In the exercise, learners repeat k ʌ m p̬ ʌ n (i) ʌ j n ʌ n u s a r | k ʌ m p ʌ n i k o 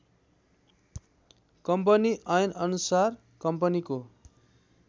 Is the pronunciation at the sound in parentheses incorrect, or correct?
correct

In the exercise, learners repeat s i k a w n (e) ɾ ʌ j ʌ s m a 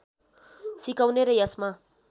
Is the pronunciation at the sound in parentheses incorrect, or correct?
correct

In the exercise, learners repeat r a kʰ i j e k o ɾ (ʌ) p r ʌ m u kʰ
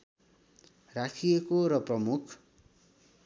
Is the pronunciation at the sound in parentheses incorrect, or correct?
correct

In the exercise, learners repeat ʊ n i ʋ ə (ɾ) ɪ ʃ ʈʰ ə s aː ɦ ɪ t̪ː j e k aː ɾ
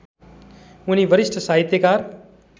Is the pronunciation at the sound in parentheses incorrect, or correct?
correct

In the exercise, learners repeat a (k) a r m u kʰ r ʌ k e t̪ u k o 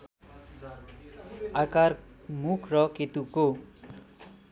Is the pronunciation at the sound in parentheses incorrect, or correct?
correct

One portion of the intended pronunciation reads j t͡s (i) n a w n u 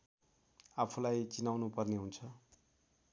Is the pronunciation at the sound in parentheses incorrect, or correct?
correct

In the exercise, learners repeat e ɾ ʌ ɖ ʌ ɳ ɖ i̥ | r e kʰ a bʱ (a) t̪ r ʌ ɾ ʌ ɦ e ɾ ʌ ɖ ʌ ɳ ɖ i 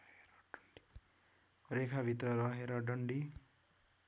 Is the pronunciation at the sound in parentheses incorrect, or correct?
incorrect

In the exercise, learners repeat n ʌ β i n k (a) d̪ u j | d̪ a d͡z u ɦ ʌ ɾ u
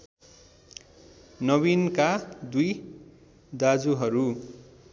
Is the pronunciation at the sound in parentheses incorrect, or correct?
correct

